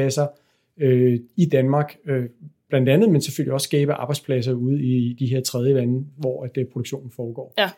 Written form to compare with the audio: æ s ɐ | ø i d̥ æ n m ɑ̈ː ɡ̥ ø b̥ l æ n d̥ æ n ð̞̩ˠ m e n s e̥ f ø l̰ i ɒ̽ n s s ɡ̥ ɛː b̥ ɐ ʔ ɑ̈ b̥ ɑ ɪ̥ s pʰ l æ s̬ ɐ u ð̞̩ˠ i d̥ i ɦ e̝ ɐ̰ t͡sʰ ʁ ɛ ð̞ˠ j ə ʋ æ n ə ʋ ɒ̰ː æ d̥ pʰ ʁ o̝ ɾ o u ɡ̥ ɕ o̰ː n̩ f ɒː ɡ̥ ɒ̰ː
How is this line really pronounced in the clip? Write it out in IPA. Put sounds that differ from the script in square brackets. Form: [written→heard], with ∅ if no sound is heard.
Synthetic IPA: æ s ɐ | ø i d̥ æ n m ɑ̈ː ɡ̥ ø b̥ l æ n d̥ æ n ð̞̩ˠ m e n s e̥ f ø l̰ i ɒ̽ [n→∅] s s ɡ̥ ɛː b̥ [ɐ→ə] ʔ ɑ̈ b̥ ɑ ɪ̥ s pʰ l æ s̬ ɐ u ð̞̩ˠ i d̥ i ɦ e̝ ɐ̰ t͡sʰ ʁ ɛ ð̞ˠ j ə ʋ æ n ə ʋ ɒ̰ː æ d̥ pʰ ʁ o̝ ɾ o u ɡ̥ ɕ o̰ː n̩ f ɒː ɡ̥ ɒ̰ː